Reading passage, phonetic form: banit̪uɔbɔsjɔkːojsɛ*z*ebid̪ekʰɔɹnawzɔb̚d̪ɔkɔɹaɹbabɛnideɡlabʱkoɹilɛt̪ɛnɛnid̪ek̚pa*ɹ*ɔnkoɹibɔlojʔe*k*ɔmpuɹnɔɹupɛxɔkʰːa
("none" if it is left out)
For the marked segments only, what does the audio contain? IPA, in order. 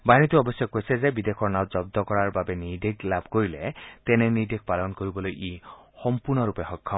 z, l, x

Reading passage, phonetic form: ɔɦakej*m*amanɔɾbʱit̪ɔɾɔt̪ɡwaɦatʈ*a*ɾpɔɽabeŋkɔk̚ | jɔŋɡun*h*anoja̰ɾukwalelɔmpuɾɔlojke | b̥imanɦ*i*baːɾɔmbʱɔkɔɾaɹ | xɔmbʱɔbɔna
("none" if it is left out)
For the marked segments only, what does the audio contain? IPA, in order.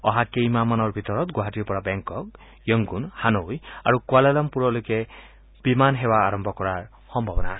m, i, h, e

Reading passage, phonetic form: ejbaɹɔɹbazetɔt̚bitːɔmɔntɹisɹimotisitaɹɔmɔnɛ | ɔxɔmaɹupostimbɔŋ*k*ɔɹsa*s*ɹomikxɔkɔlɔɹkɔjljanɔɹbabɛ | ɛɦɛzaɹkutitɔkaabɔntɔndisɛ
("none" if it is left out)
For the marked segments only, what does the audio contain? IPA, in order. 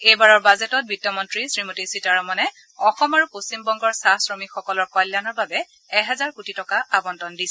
ɡ, s

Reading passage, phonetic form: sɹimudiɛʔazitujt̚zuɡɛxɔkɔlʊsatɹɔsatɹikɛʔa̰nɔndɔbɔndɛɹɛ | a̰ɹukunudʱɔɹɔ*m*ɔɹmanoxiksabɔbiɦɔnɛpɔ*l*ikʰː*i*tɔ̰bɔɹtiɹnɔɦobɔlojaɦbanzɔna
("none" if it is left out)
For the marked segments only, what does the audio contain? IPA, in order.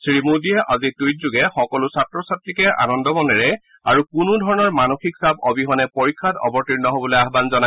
n, ɹ, a

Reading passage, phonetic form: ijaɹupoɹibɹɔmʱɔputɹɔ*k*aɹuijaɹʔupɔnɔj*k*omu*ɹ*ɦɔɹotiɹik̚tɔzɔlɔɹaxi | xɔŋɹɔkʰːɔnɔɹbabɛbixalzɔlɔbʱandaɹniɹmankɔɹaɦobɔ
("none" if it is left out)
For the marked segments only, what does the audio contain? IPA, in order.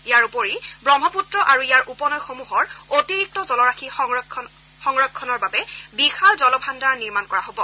ʔ, x, none

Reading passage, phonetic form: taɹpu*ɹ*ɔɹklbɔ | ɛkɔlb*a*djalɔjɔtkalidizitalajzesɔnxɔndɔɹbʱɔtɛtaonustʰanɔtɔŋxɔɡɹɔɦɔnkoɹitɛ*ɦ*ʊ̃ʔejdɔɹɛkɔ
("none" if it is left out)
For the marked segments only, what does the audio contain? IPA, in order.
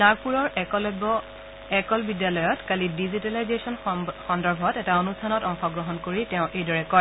ɹ, i, none

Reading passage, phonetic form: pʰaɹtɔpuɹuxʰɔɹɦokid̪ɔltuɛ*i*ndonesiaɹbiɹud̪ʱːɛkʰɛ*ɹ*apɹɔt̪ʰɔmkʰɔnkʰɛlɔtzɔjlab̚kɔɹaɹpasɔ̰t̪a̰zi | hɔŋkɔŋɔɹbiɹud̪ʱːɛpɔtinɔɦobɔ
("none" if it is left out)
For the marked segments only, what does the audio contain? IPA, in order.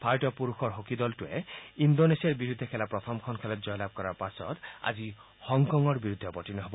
i, l

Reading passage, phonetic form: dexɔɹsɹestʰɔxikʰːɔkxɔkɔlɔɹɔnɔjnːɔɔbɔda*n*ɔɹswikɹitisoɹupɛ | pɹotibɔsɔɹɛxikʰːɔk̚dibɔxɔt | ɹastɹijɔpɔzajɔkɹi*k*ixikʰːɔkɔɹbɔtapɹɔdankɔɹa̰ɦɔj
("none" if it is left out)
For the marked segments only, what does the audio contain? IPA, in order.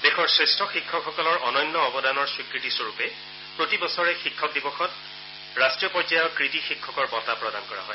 n, t

